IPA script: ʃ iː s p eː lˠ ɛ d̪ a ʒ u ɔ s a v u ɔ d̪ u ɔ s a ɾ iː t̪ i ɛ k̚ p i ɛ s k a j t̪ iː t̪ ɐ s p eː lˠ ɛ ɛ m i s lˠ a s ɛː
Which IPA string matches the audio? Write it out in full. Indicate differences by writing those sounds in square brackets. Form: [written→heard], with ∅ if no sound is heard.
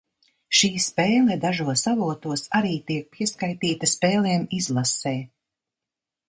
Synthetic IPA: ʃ iː s p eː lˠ ɛ d̪ a ʒ u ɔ s a v u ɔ [d̪→t̪] u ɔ s a ɾ iː t̪ i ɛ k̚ p i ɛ s k a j t̪ iː t̪ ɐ s p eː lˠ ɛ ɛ m i [s→z] lˠ a s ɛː